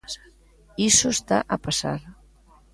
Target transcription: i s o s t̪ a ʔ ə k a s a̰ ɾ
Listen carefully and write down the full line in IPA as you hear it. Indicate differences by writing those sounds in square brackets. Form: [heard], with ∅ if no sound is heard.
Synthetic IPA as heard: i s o s t̪ a ʔ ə [p] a s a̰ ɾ